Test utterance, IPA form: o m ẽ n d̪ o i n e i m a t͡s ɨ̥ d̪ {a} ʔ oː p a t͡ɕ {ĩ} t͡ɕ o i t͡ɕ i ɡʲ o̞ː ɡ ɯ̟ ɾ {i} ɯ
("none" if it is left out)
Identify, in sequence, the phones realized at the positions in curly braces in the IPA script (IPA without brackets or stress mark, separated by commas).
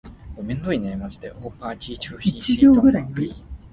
e, i, a